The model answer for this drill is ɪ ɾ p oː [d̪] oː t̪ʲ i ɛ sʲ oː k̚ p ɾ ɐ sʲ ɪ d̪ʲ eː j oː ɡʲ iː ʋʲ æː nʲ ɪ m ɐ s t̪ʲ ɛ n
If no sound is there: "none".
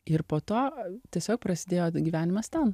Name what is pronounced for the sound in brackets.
t̪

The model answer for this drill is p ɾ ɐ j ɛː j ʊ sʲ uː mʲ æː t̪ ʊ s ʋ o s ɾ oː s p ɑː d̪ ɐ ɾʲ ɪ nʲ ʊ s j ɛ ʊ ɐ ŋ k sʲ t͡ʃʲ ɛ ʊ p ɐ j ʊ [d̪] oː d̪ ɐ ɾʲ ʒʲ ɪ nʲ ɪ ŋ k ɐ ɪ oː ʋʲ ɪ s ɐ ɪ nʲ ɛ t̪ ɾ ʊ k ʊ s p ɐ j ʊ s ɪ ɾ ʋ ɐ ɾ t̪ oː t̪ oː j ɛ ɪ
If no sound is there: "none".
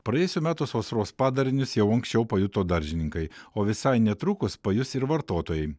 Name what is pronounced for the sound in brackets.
t̪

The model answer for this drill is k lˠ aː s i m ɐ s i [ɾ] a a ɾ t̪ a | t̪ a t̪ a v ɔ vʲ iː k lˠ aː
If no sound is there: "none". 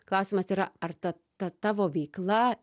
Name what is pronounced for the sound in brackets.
ɾ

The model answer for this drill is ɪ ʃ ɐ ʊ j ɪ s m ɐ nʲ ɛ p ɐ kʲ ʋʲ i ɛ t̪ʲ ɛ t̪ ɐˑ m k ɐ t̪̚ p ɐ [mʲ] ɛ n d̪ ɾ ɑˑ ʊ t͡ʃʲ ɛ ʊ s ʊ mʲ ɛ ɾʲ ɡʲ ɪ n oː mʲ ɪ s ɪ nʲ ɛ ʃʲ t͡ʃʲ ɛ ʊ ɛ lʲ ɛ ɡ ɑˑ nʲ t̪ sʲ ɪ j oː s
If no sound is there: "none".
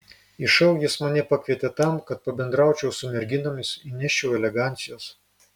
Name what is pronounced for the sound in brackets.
bʲ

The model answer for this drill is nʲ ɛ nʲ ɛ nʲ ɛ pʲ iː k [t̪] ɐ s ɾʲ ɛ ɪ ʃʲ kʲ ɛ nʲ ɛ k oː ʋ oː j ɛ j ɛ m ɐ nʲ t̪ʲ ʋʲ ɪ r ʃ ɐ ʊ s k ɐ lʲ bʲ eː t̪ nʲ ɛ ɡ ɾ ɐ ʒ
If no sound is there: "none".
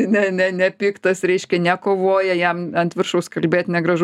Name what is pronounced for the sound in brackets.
t̪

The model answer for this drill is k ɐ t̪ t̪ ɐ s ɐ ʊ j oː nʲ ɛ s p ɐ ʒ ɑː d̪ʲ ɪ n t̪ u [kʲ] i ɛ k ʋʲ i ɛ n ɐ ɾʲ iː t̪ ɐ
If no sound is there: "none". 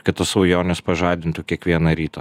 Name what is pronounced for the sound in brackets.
kʲ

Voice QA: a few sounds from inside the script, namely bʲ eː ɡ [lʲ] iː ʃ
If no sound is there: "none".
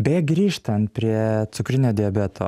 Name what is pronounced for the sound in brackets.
ɾʲ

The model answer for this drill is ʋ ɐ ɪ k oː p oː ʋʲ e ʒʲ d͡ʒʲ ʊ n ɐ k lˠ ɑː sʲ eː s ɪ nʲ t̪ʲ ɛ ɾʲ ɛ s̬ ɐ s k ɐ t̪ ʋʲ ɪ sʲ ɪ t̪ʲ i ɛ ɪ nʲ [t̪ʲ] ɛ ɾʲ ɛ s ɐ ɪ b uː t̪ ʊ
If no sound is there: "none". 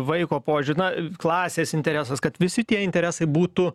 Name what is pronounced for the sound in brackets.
t̪ʲ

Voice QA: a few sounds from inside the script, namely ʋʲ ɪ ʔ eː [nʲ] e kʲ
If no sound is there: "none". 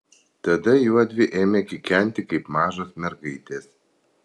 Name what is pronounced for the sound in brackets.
mʲ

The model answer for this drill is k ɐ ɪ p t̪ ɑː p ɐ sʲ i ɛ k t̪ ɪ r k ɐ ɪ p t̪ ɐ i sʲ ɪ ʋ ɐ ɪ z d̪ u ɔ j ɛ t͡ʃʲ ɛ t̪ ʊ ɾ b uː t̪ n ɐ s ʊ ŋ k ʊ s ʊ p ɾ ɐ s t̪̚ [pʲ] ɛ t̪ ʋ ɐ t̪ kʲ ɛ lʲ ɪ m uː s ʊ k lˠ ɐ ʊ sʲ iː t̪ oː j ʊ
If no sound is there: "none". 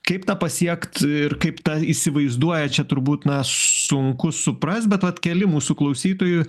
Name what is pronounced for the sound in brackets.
bʲ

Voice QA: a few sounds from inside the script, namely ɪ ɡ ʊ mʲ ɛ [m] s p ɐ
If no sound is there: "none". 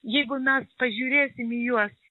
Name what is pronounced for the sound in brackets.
none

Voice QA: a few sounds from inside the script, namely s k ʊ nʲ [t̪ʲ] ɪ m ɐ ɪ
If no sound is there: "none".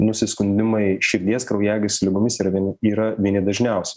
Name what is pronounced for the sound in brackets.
d̪ʲ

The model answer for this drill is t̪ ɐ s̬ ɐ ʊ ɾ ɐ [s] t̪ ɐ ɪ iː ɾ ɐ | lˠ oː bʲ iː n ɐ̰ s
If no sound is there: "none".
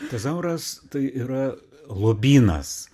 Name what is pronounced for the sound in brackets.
s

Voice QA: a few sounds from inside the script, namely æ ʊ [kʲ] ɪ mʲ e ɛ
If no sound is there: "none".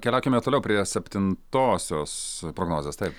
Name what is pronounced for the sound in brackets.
kʲ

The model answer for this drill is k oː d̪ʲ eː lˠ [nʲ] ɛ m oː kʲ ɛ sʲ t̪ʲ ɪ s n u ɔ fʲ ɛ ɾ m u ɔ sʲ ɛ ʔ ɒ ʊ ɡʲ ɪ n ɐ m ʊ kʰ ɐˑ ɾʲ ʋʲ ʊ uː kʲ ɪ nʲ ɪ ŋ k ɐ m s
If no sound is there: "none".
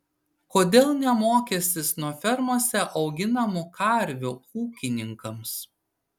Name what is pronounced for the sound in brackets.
nʲ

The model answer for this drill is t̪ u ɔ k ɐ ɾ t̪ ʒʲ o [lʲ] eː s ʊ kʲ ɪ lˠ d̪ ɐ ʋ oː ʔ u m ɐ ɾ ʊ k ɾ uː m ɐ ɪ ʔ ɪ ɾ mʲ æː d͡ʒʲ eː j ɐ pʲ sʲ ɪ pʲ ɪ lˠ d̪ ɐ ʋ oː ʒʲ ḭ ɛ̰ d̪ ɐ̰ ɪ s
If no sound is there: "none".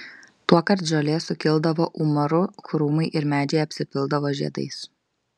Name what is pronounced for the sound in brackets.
lʲ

